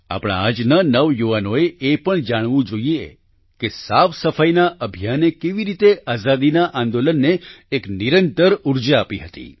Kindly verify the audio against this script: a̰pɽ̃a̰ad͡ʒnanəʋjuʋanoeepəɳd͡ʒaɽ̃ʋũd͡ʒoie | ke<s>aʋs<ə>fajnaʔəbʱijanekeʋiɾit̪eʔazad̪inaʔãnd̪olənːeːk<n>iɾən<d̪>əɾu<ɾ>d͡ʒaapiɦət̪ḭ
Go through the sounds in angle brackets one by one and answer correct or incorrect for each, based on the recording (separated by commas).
correct, correct, correct, incorrect, correct